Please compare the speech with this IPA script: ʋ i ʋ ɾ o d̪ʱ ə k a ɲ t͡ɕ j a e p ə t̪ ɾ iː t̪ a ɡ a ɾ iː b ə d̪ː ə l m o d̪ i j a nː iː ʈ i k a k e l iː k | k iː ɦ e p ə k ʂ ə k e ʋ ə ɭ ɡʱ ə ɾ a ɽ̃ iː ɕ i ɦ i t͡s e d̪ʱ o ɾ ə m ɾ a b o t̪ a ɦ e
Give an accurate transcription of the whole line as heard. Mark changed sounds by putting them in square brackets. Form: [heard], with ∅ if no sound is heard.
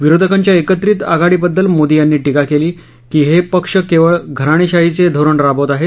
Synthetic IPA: ʋ i [∅] ɾ o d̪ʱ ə k a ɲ t͡ɕ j a e [k] ə t̪ ɾ iː t̪ a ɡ a [ɽ] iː b ə d̪ː ə l m o d̪ i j a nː iː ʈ i k a k e l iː [∅] | k iː ɦ e p ə k ʂ ə k e ʋ ə ɭ ɡʱ ə ɾ a ɽ̃ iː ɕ [a] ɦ i t͡s e d̪ʱ o ɾ ə [ɳ] ɾ a b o t̪ a ɦ e